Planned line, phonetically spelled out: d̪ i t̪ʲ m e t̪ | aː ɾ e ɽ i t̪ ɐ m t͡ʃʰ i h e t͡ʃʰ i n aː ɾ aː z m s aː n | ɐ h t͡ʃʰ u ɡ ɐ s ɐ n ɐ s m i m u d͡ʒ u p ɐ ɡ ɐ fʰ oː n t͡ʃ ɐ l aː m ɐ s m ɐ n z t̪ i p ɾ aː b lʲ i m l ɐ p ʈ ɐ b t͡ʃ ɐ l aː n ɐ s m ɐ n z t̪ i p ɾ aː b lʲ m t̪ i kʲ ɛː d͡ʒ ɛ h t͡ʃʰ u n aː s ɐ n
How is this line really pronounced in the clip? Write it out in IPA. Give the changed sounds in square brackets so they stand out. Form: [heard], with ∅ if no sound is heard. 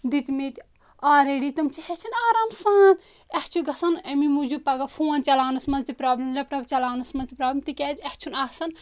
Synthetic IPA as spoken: d̪ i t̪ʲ m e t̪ | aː ɾ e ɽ i t̪ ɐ m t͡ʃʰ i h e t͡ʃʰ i n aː ɾ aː [∅] m s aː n | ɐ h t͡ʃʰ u ɡ ɐ s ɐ n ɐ [∅] m i m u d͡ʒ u p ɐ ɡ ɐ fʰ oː n t͡ʃ ɐ l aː [n] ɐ s m ɐ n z t̪ i p ɾ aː b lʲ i m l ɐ p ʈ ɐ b t͡ʃ ɐ l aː n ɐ s m ɐ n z t̪ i p ɾ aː b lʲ m t̪ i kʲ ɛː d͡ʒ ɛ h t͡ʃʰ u n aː s ɐ n